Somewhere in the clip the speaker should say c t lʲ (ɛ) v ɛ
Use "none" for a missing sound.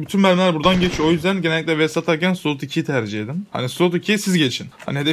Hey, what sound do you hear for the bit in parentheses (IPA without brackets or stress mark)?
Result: ɛ